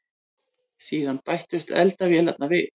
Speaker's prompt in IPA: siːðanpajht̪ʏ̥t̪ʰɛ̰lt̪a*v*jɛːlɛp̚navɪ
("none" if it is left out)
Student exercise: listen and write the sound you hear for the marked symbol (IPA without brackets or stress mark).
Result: v